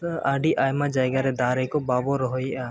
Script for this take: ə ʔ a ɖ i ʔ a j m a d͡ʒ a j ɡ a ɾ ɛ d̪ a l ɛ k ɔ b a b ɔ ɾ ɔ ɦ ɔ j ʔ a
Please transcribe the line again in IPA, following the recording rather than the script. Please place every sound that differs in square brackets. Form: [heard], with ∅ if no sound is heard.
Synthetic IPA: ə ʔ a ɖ i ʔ a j m a d͡ʒ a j ɡ a ɾ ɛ d̪ a [ɾ] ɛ k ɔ b a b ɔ ɾ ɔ ɦ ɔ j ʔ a